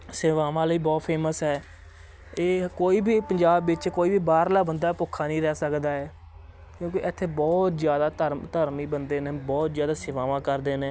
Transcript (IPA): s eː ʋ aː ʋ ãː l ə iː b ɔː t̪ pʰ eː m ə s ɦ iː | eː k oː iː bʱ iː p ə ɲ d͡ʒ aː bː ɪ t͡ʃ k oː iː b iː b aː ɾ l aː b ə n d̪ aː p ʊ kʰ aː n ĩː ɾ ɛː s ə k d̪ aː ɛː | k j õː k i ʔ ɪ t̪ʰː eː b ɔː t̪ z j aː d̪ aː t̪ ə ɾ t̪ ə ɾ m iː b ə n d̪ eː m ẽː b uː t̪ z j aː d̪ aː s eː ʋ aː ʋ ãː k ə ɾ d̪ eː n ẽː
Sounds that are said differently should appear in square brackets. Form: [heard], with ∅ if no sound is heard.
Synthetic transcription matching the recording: s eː ʋ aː ʋ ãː l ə iː b ɔː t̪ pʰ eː m ə s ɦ [ɛː] | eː k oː iː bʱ iː p ə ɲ d͡ʒ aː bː ɪ t͡ʃ k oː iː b iː b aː ɾ l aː b ə n d̪ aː p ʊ kʰ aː n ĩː ɾ ɛː s ə k d̪ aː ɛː | k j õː k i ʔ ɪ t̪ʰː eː b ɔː t̪ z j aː d̪ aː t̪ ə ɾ t̪ ə ɾ m iː b ə n d̪ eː [n] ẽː b [ɔː] t̪ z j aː d̪ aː s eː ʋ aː ʋ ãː k ə ɾ d̪ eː n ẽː